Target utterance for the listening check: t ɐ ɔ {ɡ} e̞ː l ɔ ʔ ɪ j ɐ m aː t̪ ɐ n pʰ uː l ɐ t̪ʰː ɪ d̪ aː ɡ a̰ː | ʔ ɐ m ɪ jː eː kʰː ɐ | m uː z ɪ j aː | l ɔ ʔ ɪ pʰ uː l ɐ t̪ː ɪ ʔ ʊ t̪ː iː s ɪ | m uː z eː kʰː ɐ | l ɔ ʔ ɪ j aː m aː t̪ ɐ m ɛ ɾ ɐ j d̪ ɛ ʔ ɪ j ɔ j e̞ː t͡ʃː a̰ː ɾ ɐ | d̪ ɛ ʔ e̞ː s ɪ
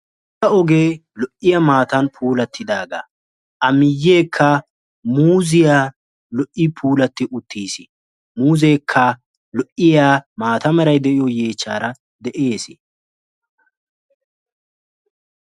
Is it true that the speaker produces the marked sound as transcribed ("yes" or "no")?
yes